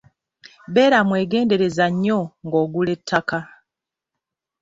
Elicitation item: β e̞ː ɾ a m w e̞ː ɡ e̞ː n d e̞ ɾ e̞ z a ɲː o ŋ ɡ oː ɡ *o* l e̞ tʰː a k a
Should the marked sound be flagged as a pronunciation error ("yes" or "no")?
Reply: yes